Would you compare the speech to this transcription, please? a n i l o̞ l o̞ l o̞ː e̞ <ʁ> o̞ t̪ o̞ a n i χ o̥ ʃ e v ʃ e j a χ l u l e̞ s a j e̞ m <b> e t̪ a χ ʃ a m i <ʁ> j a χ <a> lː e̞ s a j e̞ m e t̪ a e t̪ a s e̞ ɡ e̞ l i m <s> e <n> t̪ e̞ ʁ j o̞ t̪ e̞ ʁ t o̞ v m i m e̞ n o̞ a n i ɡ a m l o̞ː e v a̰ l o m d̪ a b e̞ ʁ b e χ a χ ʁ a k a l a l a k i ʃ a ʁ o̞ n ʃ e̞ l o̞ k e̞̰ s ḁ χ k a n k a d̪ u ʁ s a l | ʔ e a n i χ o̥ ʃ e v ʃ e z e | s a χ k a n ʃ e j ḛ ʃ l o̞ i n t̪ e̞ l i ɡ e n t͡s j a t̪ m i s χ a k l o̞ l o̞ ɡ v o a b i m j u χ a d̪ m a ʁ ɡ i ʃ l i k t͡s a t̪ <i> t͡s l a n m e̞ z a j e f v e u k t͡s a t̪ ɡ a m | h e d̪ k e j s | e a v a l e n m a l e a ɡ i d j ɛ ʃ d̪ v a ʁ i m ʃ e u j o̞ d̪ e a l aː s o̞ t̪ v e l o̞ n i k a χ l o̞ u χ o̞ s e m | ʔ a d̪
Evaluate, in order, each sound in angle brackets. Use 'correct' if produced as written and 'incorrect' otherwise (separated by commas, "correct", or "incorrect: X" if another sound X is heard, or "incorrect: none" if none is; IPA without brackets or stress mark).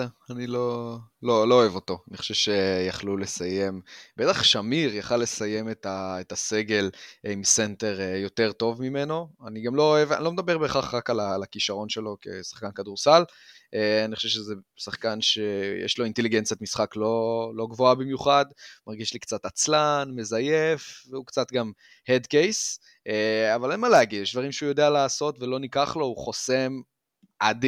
incorrect: v, correct, correct, correct, correct, correct, incorrect: a